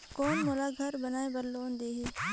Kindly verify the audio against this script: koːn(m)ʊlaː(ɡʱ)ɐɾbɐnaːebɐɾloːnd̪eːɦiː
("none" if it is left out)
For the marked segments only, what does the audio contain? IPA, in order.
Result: m, ɡʱ

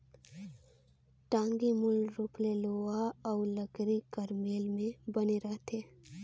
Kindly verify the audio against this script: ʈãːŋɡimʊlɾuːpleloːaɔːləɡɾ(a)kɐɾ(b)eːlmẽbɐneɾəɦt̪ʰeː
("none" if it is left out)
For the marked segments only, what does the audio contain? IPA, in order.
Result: i, m

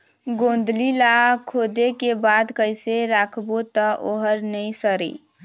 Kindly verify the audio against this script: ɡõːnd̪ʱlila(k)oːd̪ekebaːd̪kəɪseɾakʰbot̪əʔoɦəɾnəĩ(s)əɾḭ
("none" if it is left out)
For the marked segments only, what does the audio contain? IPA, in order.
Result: kʰ, s

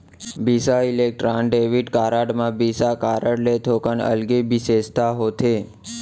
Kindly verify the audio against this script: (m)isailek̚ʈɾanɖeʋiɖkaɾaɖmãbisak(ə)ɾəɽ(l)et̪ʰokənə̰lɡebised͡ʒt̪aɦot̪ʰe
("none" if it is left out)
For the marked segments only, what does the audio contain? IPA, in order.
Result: b, a, l

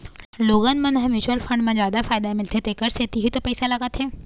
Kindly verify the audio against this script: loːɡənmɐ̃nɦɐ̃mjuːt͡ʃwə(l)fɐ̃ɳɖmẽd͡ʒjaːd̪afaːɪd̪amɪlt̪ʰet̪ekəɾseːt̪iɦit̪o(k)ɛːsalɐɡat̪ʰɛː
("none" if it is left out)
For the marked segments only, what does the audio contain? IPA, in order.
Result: l, p

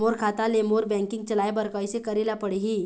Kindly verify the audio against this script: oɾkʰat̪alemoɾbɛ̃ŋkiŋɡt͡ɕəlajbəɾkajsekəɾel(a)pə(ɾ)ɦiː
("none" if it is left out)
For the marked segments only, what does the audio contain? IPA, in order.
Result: a, ɽ

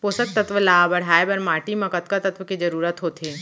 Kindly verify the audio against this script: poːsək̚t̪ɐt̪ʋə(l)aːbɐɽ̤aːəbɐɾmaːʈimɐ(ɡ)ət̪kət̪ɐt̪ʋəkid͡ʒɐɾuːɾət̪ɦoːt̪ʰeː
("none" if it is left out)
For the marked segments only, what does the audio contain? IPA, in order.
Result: l, k

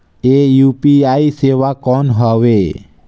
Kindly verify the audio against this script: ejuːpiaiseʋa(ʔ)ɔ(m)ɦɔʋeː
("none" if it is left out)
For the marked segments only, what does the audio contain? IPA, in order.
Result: k, n

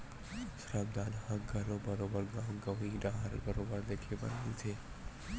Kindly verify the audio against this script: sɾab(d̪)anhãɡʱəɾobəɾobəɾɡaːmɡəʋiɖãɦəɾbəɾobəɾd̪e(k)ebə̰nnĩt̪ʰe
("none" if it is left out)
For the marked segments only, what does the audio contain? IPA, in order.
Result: d̪, kʰ

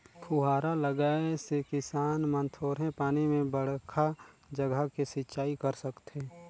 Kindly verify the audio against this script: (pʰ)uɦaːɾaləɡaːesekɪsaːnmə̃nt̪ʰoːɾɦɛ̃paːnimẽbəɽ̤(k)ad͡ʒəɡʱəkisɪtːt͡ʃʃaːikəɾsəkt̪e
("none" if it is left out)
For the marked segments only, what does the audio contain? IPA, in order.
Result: kʰ, kʰ

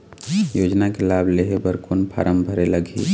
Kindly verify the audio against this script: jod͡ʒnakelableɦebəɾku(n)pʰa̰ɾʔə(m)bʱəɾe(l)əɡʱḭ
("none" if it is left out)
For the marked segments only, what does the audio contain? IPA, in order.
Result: n, m, l

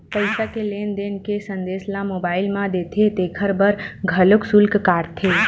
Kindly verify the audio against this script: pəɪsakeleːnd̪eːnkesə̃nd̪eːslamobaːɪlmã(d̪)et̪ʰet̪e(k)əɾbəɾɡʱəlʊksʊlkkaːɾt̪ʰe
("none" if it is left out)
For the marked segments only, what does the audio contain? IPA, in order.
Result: d̪, kʰ

